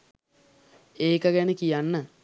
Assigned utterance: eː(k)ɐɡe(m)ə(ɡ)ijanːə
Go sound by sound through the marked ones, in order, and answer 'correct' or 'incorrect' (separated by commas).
correct, incorrect, incorrect